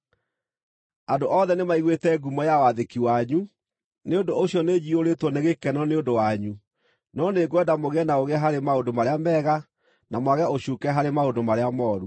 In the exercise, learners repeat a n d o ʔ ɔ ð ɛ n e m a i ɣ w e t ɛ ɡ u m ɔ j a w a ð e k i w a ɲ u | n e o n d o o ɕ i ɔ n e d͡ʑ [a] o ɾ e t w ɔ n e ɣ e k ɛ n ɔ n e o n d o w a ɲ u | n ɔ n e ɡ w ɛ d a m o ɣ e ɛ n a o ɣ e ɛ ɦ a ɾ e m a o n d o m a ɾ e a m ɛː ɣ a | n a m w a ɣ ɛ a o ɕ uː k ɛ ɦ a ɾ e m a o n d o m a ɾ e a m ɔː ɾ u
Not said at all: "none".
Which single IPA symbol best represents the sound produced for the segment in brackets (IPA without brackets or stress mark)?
i